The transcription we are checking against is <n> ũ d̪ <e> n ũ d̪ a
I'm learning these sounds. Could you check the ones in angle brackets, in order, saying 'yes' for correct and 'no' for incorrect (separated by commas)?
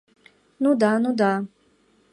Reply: yes, no